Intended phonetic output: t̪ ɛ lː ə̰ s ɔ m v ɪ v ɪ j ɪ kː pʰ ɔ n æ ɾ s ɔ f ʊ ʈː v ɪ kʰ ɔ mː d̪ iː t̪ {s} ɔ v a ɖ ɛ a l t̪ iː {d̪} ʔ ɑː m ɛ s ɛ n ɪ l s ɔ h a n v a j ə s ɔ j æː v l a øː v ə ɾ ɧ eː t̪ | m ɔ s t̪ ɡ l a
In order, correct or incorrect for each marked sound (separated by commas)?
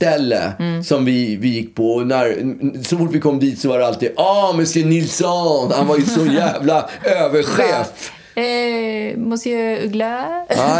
correct, correct